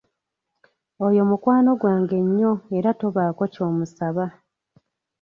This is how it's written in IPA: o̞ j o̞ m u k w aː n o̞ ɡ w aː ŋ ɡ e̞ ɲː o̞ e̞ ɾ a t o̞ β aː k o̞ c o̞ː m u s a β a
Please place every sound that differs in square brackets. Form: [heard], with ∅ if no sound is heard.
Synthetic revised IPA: o̞ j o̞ m u k w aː n o̞ ɡ w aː ŋ ɡ e̞ ɲː o̞ e̞ ɾ a t o̞ β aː k o̞ c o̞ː m u s a β a